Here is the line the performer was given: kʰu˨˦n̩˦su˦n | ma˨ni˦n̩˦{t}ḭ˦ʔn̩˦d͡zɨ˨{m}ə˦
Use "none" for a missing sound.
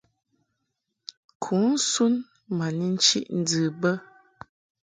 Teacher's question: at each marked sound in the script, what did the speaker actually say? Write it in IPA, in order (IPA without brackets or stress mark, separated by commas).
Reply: t͡ʃ, b